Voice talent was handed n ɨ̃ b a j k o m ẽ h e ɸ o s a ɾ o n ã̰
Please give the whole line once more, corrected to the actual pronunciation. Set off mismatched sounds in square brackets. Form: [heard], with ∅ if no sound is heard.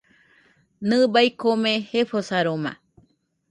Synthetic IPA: n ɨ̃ b a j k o m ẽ h e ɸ o s a ɾ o [m] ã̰